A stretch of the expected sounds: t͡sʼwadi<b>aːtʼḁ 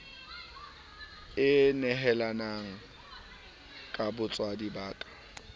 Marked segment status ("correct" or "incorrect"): correct